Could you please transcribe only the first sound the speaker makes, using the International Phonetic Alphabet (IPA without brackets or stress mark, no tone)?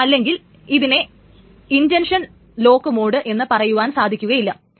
ɐ